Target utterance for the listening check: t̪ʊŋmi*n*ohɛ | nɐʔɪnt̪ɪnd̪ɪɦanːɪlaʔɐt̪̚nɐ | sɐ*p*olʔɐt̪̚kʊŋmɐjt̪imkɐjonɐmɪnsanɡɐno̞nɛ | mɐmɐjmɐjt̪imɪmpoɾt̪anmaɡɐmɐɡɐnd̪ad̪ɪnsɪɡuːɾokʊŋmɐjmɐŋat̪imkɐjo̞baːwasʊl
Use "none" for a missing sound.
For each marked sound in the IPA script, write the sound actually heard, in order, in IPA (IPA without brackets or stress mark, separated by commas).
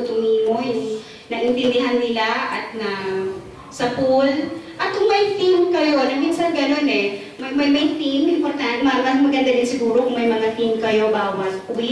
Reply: m, p